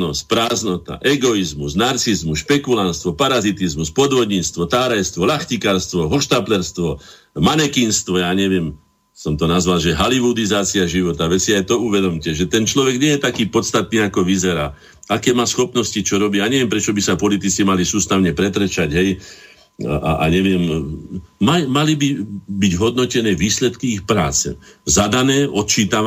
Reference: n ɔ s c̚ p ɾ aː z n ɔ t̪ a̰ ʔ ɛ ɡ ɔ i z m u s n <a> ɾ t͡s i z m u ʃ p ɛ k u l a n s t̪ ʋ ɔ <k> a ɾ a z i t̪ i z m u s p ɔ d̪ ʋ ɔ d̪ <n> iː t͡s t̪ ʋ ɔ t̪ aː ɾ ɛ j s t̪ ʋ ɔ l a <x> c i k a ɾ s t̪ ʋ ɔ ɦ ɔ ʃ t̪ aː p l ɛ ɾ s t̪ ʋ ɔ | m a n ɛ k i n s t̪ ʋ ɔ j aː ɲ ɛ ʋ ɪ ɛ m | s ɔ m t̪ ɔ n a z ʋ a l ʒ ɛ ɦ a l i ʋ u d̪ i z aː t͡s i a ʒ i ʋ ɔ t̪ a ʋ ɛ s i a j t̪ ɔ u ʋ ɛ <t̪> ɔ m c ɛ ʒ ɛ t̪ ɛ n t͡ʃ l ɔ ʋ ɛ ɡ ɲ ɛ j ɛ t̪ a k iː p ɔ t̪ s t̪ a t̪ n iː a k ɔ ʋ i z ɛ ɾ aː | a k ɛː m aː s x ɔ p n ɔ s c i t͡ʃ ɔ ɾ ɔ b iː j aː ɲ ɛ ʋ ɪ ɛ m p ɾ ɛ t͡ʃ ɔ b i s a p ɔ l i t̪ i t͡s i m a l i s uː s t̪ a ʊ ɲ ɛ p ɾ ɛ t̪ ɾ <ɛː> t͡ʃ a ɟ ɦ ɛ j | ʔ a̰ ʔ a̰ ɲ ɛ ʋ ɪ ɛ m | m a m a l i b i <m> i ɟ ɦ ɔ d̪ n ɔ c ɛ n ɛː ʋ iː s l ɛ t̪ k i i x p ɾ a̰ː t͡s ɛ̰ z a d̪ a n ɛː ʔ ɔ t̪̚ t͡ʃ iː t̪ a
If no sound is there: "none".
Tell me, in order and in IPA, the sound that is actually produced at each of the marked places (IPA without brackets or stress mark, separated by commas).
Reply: a, p, ɲ, x, d̪, ɛ, b